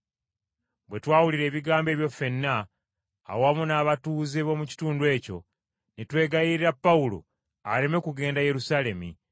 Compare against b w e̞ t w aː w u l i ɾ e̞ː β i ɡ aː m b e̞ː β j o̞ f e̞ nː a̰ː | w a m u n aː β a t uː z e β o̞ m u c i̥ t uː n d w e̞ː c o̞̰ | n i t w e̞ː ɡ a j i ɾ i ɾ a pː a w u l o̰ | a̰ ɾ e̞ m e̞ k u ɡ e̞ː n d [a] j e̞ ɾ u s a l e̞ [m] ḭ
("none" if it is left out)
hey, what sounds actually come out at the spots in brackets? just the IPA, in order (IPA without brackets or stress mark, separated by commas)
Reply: a, m